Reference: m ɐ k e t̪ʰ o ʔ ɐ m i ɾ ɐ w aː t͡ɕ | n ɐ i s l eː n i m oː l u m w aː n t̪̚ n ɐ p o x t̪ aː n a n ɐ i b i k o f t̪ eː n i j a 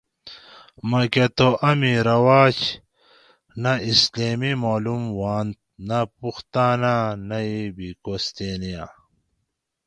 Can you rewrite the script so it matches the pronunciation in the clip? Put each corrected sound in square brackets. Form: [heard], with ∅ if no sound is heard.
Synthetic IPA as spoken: m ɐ k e [t̪] o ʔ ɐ m i ɾ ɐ w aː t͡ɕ | n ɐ i s l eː [m] i m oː l u m w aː n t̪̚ n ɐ p [u] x t̪ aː n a n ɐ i b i k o [s] t̪ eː n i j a